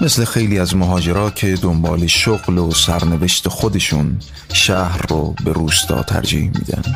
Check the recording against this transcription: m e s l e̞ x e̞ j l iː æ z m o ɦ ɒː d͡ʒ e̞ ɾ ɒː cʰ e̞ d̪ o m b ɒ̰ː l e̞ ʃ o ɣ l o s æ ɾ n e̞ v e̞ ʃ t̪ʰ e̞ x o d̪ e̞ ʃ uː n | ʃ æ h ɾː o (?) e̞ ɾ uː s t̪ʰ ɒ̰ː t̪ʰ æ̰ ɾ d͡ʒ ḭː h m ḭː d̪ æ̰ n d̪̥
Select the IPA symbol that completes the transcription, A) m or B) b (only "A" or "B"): B